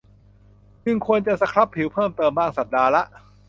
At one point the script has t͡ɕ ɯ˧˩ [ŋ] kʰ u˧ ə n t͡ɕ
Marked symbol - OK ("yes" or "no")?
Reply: yes